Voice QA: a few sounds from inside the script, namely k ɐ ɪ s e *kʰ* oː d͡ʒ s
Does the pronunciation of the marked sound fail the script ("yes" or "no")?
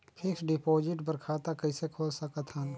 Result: no